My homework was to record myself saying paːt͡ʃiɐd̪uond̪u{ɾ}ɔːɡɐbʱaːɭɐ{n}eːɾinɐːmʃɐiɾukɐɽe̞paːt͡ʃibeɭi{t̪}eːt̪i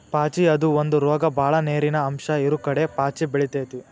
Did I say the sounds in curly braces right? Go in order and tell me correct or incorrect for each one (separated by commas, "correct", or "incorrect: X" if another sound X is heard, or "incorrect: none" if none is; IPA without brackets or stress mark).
correct, correct, correct